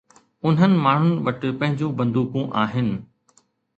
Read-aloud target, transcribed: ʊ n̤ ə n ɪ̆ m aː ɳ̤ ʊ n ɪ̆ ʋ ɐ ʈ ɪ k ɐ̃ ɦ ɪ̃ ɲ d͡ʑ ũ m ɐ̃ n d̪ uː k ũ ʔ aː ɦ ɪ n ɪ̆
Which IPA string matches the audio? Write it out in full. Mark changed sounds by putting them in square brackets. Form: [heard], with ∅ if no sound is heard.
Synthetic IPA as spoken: ʊ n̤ ə n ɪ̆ m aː ɳ̤ ʊ n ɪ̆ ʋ ɐ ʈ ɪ [p] ɐ̃ ɦ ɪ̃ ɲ d͡ʑ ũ [b] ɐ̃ n d̪ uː k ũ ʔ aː ɦ ɪ n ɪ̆